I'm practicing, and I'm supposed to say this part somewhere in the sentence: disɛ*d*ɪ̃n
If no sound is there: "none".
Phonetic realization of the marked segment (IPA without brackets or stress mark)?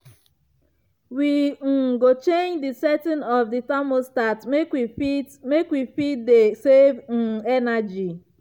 t